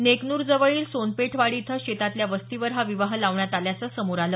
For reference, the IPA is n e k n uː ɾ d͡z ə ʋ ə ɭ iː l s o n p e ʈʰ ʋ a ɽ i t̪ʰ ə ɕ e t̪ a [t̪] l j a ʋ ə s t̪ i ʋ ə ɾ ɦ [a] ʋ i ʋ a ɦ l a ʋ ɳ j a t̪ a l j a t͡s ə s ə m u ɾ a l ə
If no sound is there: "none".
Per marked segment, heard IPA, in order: t̪, a

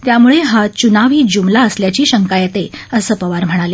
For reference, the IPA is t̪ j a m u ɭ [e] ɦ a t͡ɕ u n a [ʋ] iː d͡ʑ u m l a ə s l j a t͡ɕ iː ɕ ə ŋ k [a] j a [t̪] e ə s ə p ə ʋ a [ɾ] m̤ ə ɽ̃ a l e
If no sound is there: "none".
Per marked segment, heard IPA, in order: e, ʋ, a, t̪, ɾ

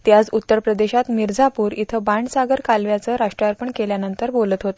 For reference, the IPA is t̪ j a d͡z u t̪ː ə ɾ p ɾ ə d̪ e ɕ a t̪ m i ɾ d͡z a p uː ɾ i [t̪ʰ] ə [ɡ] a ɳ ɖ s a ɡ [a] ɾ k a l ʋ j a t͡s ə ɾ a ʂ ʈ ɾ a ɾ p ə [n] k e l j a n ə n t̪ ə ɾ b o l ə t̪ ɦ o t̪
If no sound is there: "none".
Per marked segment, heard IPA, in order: t̪ʰ, b, ə, ɳ

